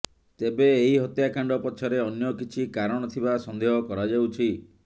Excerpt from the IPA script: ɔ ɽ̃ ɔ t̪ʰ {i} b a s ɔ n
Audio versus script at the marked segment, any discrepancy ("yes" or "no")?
no